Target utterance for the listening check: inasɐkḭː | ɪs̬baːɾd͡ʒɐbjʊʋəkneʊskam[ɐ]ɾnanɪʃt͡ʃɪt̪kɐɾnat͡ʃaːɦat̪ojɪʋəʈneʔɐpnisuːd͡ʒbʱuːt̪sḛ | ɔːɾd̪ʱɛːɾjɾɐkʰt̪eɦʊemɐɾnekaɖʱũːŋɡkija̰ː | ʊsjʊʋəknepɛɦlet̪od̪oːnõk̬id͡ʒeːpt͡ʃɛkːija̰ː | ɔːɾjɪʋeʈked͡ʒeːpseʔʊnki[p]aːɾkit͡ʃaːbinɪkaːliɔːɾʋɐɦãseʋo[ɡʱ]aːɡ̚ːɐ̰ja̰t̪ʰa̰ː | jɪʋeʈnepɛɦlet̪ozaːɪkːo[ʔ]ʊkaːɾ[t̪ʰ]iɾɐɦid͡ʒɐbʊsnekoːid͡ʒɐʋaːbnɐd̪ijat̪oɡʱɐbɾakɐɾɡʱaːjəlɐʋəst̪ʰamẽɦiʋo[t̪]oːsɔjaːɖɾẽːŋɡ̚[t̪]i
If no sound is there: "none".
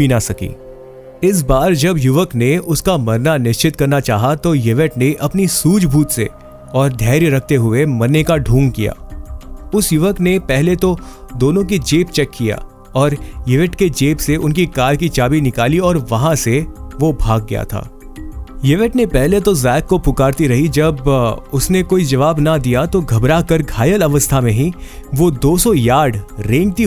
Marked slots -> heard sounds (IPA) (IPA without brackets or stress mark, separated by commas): ɐ, k, bʱ, p, t̪, d̪, t̪